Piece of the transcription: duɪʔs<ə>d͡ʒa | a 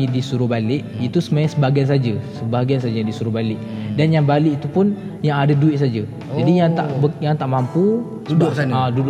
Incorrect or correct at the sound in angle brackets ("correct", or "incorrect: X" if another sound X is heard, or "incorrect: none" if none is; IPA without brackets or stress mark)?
incorrect: a